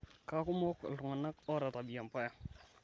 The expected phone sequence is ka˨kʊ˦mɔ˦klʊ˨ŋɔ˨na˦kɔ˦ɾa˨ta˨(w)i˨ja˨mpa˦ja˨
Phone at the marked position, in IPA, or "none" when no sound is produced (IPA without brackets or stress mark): b